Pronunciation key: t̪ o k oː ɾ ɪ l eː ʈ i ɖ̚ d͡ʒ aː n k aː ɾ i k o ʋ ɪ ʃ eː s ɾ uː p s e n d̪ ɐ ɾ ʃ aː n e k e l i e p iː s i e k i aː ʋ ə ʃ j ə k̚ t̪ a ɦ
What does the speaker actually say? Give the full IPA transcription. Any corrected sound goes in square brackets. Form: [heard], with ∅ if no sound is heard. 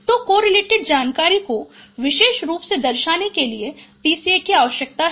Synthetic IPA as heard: t̪ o k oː ɾ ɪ l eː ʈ [ɪ] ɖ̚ d͡ʒ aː n k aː ɾ i k o ʋ ɪ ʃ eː [ʃ] ɾ uː p s e [∅] d̪ ɐ ɾ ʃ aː n e k e l i e p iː s i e k i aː ʋ ə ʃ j ə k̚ t̪ a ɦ